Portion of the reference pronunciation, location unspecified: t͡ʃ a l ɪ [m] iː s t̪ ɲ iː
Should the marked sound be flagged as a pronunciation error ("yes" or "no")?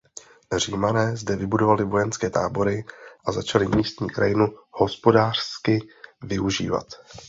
no